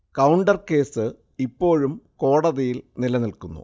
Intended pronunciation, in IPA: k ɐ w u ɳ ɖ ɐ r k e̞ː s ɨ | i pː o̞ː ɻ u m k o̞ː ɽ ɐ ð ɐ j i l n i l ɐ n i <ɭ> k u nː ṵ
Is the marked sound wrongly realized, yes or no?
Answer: yes